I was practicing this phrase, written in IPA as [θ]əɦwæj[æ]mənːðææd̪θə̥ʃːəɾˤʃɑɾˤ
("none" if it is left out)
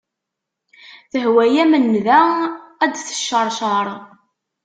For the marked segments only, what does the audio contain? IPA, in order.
θ, æ

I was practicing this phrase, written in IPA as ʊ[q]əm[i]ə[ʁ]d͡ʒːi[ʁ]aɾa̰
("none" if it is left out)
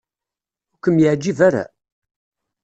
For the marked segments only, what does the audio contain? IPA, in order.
k, j, ʕ, v

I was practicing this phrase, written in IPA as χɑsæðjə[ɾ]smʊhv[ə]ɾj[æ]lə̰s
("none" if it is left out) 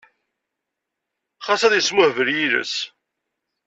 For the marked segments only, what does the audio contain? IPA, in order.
none, ə, i

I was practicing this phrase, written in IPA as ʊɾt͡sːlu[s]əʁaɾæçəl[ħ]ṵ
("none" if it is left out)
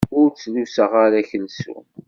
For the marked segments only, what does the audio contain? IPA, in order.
s, s

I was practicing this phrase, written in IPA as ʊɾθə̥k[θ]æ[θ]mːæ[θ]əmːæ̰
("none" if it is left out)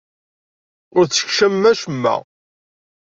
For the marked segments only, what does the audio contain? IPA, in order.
ʃ, none, ʃ

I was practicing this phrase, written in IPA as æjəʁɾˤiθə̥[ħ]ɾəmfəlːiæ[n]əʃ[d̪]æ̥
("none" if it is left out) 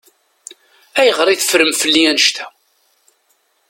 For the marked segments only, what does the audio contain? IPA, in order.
f, n, t̪

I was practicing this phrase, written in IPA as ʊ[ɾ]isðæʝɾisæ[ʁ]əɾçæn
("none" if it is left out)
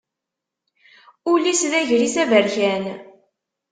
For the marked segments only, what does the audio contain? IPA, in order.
l, v

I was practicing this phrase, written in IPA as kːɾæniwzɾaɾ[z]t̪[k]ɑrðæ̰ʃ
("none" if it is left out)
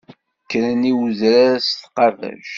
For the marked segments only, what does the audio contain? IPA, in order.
s, q

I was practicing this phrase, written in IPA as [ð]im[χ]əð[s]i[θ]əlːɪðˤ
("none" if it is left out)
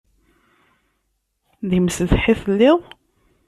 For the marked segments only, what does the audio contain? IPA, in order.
ð, s, ħ, θ

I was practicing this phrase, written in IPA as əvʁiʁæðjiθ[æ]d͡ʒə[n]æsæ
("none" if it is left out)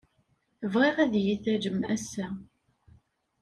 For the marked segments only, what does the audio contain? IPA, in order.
æ, m

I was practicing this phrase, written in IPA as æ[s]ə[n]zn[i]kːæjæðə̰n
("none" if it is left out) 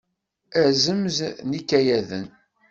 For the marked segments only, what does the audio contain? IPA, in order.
z, m, i

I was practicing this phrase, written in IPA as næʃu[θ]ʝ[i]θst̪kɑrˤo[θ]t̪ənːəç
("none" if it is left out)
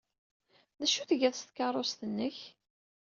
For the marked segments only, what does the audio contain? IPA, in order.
θ, æ, s

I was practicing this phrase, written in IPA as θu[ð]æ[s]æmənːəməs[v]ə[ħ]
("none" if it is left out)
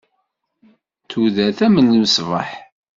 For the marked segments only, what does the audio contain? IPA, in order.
ð, θ, v, ħ

